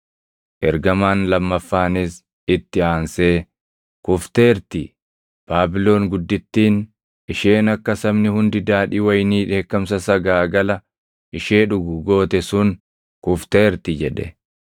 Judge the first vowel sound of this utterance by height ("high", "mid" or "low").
mid